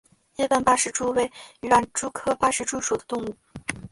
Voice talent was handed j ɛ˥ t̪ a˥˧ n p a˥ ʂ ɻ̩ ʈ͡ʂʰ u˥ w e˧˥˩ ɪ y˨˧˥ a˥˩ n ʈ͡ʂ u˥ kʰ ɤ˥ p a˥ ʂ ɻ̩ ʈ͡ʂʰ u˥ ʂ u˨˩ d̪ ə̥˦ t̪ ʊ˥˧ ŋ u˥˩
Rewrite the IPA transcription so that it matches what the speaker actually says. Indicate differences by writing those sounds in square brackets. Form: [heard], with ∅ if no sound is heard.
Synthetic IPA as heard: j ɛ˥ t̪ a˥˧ n p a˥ ʂ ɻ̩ [ʈ͡ʂ] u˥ w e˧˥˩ ɪ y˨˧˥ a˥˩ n ʈ͡ʂ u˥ kʰ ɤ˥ p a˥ ʂ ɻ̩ [ʈ͡ʂ] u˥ ʂ u˨˩ d̪ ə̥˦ t̪ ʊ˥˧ ŋ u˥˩